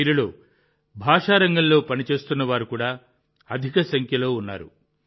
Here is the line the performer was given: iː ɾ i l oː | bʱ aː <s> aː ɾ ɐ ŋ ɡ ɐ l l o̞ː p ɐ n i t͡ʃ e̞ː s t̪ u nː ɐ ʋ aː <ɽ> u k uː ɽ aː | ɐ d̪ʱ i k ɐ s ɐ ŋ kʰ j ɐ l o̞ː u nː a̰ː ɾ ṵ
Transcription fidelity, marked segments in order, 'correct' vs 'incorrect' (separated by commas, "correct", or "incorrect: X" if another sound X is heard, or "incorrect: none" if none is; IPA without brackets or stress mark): incorrect: ʂ, incorrect: ɾ